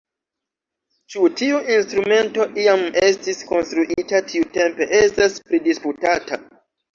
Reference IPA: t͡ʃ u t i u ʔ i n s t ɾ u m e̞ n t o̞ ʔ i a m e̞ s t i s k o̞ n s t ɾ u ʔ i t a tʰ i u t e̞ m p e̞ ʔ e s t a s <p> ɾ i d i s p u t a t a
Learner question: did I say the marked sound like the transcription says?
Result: yes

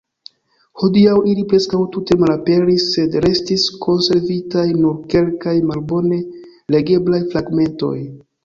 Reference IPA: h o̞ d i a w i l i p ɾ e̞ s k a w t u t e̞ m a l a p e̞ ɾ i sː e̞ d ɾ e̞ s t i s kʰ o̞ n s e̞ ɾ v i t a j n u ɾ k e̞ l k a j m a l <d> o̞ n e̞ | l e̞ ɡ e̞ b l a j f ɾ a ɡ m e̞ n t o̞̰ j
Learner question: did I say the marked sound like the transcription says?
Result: no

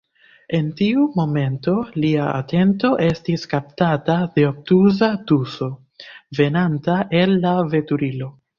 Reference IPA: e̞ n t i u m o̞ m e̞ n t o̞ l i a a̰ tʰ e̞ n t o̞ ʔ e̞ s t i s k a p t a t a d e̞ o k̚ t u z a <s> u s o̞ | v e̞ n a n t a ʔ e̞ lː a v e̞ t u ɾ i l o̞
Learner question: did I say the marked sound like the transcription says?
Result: no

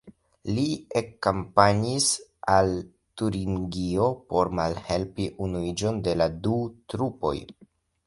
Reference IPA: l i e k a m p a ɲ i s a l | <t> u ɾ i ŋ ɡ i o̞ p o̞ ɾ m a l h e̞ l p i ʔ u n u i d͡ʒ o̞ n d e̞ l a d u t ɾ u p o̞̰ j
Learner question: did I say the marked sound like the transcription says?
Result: yes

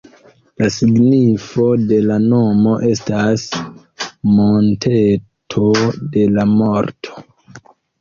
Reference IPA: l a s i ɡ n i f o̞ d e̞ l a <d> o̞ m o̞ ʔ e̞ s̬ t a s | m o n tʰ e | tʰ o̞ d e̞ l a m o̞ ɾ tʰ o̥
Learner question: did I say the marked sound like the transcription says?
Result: no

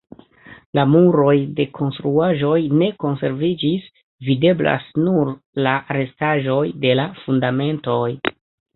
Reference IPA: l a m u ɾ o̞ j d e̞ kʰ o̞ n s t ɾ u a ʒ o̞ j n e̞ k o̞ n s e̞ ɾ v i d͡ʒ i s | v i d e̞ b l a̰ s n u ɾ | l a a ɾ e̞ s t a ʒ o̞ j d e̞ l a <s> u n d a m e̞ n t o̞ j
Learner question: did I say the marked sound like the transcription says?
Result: no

